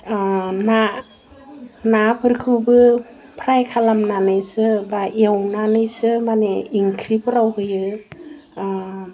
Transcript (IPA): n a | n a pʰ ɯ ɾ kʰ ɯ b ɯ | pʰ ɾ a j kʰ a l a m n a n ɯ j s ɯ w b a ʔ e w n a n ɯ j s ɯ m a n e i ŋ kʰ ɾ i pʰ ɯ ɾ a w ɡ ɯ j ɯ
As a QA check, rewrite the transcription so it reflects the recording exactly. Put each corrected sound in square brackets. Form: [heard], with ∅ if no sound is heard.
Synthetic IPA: n a | n a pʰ ɯ ɾ kʰ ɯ b ɯ | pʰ ɾ a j kʰ a l a m n a n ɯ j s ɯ [∅] b a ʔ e w n a n ɯ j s ɯ m a n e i ŋ kʰ ɾ i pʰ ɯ ɾ a w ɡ ɯ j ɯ